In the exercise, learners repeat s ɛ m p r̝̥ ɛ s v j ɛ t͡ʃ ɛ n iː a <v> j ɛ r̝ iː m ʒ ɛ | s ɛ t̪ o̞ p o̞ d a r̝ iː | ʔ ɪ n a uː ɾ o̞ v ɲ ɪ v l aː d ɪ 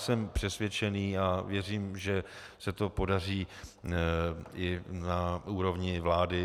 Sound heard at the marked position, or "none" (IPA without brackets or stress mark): v